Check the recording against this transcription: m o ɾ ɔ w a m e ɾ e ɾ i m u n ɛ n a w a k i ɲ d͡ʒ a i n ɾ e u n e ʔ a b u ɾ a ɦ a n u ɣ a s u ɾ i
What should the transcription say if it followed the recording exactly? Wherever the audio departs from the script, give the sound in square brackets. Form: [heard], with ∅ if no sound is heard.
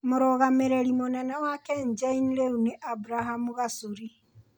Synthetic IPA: m o ɾ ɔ [ɣ] a m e ɾ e ɾ i m [o] n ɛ n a w a k [ɛ] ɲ d͡ʒ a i n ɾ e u n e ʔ a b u ɾ a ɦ a [m] u ɣ a s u ɾ i